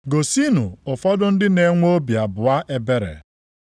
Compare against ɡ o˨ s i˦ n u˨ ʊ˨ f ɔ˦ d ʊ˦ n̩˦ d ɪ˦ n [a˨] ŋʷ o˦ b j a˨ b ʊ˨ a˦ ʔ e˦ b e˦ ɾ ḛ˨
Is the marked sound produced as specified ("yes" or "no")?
no